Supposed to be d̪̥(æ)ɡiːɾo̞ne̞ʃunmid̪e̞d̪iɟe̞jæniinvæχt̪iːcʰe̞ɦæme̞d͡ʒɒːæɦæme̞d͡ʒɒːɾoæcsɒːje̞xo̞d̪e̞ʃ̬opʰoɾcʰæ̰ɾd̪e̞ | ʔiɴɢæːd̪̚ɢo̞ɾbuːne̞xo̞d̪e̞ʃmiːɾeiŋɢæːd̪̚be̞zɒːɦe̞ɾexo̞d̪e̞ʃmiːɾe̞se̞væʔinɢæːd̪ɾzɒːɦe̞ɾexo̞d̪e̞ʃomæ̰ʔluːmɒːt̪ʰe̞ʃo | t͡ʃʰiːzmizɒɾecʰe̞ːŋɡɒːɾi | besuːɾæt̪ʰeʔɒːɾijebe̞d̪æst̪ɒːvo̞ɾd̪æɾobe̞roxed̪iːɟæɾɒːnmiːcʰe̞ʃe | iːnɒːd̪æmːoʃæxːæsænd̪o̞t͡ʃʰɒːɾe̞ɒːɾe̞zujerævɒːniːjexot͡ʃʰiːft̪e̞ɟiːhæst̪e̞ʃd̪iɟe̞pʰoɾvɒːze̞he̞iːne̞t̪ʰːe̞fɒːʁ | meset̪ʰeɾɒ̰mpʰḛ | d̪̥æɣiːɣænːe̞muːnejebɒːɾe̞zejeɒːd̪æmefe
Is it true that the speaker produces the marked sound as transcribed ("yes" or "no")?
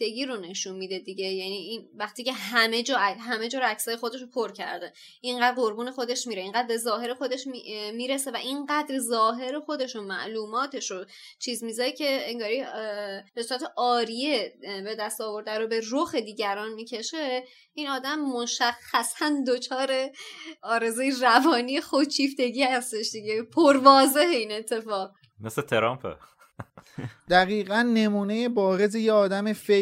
no